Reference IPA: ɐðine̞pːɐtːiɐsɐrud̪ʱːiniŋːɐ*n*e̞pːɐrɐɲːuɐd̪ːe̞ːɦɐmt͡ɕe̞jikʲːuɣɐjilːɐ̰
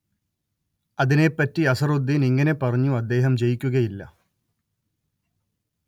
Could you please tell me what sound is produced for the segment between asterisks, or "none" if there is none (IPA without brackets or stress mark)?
n